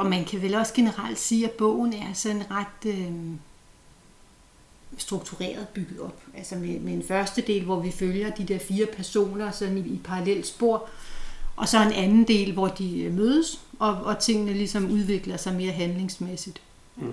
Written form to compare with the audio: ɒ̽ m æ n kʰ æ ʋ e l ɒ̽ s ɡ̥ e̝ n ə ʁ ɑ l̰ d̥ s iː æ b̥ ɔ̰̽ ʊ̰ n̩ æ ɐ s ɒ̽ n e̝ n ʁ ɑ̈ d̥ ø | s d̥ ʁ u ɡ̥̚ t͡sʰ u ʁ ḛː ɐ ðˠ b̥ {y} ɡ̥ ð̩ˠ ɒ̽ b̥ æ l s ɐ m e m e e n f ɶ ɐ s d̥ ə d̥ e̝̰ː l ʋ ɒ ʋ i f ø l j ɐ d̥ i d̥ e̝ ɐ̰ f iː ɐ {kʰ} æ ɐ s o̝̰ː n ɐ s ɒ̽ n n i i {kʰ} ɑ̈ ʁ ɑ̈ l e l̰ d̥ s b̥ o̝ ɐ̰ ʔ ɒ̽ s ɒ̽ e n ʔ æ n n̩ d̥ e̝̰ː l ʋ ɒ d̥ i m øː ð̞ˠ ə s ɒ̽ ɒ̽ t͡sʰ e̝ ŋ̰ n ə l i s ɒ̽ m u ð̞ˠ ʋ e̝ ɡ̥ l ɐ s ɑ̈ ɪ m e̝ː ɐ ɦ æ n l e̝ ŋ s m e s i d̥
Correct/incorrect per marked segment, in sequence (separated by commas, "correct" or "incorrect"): correct, incorrect, incorrect